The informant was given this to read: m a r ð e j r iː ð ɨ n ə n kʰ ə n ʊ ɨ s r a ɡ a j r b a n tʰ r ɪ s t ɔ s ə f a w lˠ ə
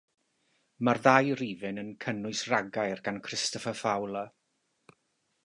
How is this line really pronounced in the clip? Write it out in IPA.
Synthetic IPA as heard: m a r ð a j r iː v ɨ n ə n kʰ ə n ʊ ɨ s r a ɡ a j r ɡ a n kʰ r ɪ s t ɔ f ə f a w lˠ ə